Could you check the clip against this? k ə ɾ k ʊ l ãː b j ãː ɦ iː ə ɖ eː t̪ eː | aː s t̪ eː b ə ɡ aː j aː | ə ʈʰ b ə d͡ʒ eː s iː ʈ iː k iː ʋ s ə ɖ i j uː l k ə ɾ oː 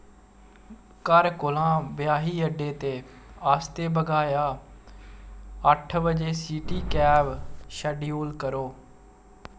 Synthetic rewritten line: k ə ɾ k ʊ l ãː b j aː ɦ iː ə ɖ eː t̪ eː | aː s t̪ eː b ə ɡ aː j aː | ə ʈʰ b ə d͡ʒ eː s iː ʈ iː k ɛː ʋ ʃ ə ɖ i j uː l k ə ɾ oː

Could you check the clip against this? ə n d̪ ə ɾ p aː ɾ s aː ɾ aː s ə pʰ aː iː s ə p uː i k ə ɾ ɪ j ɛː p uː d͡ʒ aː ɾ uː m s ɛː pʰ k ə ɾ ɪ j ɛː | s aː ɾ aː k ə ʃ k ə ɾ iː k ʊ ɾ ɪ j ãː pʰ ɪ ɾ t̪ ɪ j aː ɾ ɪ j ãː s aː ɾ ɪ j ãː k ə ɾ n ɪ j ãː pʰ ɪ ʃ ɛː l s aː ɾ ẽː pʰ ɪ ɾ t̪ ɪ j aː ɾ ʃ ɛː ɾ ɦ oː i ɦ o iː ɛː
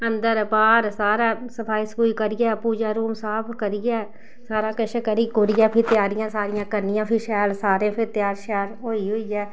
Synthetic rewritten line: ə n d̪ ə ɾ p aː ɾ s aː ɾ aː s ə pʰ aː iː s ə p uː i k ə ɾ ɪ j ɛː p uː d͡ʒ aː ɾ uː m s aː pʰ k ə ɾ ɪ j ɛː | s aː ɾ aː k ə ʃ k ə ɾ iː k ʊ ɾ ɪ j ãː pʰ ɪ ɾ t̪ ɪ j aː ɾ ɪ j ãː s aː ɾ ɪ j ãː k ə ɾ n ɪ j ãː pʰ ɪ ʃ ɛː l s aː ɾ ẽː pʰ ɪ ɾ t̪ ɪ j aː ɾ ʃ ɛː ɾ ɦ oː i ɦ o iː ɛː

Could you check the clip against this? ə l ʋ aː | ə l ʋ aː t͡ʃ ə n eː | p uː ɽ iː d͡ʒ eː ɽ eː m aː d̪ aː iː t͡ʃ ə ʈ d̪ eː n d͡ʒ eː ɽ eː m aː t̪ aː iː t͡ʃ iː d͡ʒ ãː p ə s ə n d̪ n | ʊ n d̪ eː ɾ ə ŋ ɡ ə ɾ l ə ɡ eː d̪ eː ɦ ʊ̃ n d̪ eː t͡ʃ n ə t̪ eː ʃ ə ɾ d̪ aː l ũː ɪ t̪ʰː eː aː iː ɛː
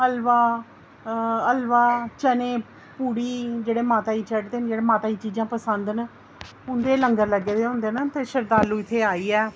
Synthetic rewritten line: ə l ʋ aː | ə l ʋ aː t͡ʃ ə n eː | p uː ɽ iː d͡ʒ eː ɽ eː m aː t̪ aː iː t͡ʃ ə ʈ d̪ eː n d͡ʒ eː ɽ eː m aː t̪ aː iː t͡ʃ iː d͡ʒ ãː p ə s ə n d̪ n | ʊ n d̪ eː l ə ŋ ɡ ə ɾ l ə ɡ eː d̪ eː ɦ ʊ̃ n d̪ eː n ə t̪ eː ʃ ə ɾ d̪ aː l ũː ɪ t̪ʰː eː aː iː ɛː

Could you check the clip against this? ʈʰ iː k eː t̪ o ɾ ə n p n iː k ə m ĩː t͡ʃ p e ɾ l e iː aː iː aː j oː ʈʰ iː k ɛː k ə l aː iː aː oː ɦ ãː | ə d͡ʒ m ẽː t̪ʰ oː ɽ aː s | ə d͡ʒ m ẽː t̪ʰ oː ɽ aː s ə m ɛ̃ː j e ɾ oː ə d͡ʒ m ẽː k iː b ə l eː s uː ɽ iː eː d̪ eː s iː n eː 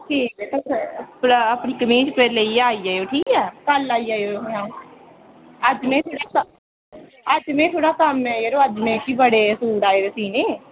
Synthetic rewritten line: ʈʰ iː k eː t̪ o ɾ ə p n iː k ə m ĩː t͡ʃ p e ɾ l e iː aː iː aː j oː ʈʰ iː k ɛː k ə l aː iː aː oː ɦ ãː | ə d͡ʒ m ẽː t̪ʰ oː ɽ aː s | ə d͡ʒ m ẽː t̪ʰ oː ɽ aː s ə m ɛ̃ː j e ɾ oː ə d͡ʒ m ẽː k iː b ə ɽ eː s uː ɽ aː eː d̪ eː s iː n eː

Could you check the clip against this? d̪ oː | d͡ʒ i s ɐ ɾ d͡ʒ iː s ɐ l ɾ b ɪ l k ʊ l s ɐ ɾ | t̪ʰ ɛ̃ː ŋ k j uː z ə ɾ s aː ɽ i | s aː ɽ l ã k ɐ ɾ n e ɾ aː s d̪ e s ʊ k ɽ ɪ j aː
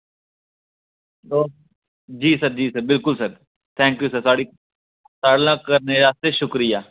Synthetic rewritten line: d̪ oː | d͡ʒ iː s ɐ ɾ d͡ʒ iː s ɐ ɾ b ɪ l k ʊ l s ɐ ɾ | t̪ʰ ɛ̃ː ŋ k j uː s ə ɾ s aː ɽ i | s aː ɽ l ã k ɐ ɾ n e ɾ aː s t̪ e ʃ ʊ k ɾ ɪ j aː

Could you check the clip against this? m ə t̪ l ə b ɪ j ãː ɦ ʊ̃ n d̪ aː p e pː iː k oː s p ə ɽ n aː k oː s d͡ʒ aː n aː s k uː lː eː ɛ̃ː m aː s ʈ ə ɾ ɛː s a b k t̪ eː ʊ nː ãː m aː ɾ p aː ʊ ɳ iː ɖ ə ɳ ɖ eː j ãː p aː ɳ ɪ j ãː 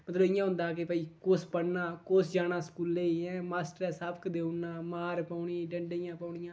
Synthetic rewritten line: m ə t̪ l ə b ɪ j ãː ɦ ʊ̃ n d̪ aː k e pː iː k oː s p ə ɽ n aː k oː s d͡ʒ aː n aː s k uː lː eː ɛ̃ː m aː s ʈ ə ɾ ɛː s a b k d̪ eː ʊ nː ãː m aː ɾ p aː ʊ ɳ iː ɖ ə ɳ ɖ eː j ãː p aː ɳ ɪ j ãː

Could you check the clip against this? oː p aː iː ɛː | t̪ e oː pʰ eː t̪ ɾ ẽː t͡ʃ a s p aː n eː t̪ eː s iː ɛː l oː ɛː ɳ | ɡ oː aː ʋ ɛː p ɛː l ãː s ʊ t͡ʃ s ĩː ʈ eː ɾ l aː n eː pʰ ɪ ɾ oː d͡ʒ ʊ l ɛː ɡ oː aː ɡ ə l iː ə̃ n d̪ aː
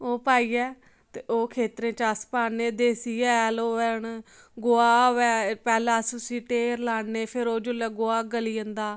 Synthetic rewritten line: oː p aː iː ɛː | t̪ e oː kʰ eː t̪ ɾ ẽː t͡ʃ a s p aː n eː d̪ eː s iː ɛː l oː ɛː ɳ | ɡ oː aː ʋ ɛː p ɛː l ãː s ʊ s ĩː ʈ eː ɾ l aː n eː pʰ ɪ ɾ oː d͡ʒ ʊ l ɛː ɡ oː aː ɡ ə l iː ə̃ n d̪ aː

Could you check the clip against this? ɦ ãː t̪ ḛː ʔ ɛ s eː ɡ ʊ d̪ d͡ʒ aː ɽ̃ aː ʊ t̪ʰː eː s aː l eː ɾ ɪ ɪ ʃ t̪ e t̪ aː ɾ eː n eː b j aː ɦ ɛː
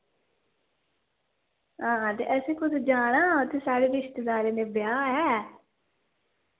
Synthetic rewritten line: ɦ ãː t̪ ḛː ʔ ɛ s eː k ʊ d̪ d͡ʒ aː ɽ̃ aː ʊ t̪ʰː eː s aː ɽ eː ɾ ɪ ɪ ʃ t̪ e d̪ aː ɾ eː n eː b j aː ɦ ɛː

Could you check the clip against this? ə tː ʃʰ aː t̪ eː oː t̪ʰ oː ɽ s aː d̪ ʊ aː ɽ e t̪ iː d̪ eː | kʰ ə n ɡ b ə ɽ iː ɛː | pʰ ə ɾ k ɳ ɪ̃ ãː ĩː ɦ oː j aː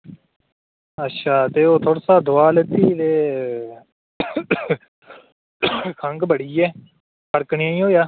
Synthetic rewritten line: ə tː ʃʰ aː t̪ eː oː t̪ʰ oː ɽ s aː d̪ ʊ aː l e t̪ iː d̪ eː | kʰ ə ŋ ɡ b ə ɽ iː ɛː | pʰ ə ɾ k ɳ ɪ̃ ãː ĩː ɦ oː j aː

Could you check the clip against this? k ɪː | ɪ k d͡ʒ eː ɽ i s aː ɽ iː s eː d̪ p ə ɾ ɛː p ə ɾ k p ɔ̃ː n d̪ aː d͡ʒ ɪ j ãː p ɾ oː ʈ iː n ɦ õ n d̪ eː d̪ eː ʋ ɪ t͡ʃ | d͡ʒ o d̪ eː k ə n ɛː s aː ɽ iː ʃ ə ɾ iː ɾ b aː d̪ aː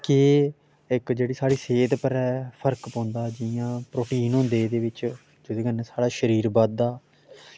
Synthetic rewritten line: k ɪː | ɪ k d͡ʒ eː ɽ iː s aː ɽ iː s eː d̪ p ə ɾ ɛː pʰ ə ɾ k p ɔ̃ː n d̪ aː d͡ʒ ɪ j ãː p ɾ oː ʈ iː n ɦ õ n d̪ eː d̪ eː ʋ ɪ t͡ʃ | d͡ʒ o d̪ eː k ə n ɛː s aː ɽ aː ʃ ə ɾ iː ɾ b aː d̪ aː

